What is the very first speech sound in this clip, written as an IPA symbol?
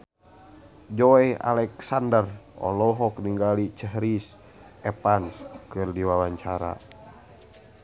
d͡ʒ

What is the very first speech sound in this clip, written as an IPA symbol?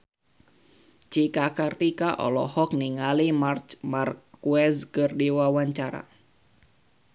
t͡ʃ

